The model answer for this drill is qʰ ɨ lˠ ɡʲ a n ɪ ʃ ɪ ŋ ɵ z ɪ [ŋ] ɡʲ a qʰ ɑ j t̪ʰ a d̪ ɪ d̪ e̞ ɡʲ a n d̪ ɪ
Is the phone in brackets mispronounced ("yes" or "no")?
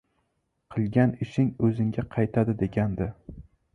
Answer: no